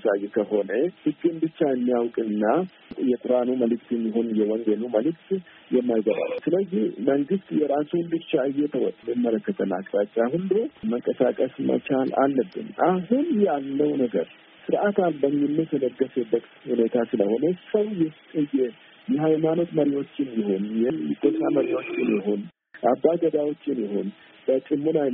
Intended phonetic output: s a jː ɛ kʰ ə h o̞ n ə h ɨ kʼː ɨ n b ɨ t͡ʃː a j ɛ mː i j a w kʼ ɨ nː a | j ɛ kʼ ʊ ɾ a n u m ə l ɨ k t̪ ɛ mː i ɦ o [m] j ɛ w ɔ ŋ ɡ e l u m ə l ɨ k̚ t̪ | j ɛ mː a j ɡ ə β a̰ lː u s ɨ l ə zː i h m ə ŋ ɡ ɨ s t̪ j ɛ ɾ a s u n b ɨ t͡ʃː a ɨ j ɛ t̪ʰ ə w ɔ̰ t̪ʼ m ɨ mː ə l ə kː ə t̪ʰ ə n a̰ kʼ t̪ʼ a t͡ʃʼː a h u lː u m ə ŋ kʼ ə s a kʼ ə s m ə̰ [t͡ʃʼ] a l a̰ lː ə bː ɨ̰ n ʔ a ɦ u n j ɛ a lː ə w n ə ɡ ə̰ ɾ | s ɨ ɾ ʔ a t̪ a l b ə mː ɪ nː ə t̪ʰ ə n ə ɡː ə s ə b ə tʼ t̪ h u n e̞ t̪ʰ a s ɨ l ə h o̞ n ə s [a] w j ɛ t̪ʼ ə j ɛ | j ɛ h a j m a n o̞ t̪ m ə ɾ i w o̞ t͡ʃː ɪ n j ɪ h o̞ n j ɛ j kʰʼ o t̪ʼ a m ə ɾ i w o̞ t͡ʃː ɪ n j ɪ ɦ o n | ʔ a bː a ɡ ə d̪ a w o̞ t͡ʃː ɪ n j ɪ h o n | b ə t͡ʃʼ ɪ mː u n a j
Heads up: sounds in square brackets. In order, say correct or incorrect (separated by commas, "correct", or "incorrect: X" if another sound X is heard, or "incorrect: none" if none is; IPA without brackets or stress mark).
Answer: incorrect: n, incorrect: t͡ʃ, incorrect: ə